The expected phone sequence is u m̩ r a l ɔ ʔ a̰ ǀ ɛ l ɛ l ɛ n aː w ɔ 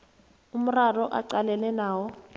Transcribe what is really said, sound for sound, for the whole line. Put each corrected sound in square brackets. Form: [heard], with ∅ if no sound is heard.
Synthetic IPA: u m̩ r a [r] ɔ ʔ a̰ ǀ [a] l ɛ l ɛ n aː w ɔ